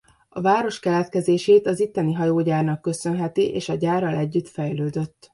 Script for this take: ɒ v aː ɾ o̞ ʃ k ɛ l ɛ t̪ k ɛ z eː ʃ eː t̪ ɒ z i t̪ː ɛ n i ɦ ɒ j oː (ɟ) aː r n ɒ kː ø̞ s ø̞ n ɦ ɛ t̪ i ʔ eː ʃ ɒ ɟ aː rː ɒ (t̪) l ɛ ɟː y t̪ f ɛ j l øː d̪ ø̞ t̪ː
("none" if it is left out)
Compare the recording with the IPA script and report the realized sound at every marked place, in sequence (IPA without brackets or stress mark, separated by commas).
ɟ, none